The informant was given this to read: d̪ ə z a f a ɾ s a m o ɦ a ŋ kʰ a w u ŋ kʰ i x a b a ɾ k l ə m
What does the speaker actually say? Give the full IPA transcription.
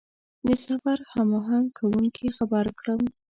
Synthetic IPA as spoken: d̪ ə s a f a ɾ h a m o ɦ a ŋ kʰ a w u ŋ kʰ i x a b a ɾ k ɽ ə m